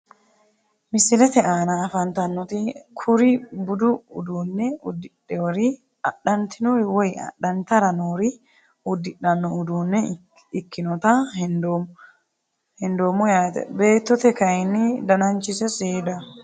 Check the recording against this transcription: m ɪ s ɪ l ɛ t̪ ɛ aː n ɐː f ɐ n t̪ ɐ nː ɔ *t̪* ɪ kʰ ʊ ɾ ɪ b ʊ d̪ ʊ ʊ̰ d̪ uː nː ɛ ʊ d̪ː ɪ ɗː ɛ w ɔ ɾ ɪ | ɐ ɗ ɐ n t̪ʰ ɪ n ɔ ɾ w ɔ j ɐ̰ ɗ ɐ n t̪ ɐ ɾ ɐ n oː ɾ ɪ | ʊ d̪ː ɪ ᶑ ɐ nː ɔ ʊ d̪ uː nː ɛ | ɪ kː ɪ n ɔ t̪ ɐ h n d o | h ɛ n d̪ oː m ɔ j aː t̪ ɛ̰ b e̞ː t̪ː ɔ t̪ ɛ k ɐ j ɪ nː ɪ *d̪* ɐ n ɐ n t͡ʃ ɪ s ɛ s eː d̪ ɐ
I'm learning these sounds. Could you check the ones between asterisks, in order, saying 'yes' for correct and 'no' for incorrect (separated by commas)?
yes, yes